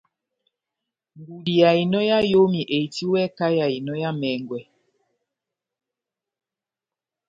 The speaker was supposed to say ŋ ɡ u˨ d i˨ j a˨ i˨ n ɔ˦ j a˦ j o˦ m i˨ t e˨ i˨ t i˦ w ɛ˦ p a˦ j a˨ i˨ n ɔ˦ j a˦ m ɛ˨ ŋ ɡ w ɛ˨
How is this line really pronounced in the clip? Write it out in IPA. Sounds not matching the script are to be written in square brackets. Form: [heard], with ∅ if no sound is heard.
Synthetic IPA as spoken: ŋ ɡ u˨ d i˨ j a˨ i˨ n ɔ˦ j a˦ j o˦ m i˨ [ʔ] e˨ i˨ t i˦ w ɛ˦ [k] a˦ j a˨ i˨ n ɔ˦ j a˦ m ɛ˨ ŋ ɡ w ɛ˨